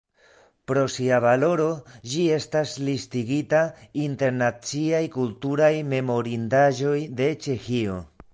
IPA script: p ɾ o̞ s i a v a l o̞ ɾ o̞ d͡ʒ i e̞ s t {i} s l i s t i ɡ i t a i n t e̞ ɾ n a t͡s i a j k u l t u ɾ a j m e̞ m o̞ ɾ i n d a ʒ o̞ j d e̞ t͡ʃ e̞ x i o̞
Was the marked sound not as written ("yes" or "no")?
yes